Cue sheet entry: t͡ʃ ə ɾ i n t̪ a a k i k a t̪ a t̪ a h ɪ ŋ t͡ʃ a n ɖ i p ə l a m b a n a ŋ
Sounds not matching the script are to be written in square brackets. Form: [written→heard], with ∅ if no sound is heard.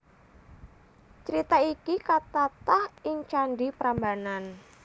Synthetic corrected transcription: t͡ʃ ə ɾ i [n→∅] t̪ a [a→i] k i k a t̪ a t̪ a h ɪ ŋ t͡ʃ a n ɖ i p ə [l→ɾ] a m b a n a [ŋ→n]